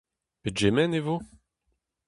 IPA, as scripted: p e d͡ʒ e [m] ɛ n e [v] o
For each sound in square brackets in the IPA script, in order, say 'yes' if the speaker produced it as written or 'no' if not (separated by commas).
yes, yes